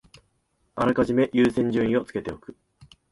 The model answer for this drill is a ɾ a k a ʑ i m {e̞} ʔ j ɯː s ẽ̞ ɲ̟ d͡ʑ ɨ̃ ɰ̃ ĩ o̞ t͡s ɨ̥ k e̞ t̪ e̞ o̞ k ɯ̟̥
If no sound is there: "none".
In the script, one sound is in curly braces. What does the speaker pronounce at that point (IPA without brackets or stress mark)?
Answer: e̞